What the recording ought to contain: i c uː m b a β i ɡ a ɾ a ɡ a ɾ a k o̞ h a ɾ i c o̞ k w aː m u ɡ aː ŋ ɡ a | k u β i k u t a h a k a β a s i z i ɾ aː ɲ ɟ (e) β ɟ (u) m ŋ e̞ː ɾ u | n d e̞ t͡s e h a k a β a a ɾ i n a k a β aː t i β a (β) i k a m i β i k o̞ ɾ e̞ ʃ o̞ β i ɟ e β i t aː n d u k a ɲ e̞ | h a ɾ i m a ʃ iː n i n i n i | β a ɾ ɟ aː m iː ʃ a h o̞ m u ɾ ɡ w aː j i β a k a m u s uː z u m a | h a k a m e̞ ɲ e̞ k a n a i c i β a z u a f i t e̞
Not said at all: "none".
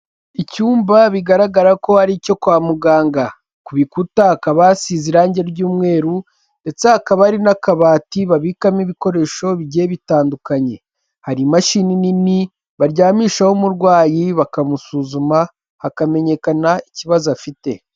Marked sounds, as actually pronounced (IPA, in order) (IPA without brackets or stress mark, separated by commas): e, uː, β